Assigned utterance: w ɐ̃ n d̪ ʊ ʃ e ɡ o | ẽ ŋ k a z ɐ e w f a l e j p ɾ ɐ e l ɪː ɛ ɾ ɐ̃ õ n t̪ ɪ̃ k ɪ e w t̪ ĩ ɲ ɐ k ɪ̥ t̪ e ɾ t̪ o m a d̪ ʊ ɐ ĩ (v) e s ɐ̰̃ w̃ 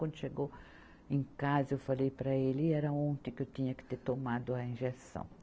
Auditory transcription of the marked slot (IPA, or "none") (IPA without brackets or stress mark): ʒ